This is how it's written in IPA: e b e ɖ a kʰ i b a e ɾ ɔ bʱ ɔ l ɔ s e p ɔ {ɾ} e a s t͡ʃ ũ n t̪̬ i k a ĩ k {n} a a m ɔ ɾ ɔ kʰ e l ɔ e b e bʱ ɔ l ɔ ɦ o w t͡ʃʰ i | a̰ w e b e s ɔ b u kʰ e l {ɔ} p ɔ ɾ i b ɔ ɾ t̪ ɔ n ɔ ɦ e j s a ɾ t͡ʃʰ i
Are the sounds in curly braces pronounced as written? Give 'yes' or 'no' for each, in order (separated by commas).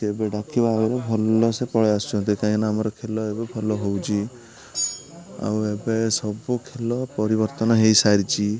no, yes, yes